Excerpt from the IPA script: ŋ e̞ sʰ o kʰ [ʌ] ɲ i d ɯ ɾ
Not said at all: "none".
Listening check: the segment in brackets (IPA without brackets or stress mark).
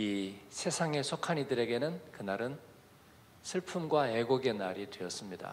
a